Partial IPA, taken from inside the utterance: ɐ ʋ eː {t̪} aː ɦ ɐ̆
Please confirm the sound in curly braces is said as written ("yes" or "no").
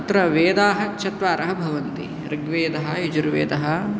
no